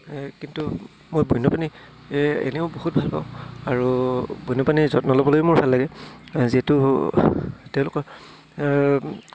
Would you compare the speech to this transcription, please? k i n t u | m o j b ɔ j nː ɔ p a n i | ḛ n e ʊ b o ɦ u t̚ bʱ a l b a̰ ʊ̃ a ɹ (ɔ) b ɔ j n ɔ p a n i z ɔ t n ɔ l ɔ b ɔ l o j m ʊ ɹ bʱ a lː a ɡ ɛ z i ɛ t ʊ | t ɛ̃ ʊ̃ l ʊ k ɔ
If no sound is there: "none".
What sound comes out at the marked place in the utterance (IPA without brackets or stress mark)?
u